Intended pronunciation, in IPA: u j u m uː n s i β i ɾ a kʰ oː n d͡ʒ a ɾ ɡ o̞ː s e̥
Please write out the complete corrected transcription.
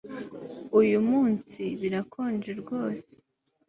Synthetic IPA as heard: u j u m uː n s i β i ɾ a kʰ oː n d͡ʒ e ɾ ɡ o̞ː s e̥